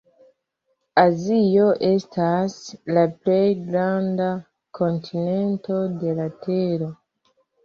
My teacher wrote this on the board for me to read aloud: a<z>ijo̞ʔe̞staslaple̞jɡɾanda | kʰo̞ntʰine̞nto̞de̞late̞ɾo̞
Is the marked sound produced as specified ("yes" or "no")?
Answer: yes